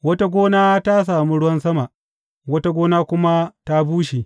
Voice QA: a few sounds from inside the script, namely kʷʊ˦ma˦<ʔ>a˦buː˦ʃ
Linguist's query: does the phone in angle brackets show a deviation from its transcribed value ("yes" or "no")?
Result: yes